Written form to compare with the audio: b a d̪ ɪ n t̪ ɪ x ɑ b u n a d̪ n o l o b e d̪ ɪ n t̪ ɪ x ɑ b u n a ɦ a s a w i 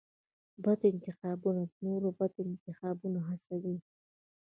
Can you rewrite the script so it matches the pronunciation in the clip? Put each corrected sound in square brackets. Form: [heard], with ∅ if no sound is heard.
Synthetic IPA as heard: b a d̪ ɪ n t̪ ɪ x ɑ b u n a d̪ n o [ɾ] o b [a] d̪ ɪ n t̪ ɪ x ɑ b u n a ɦ a s a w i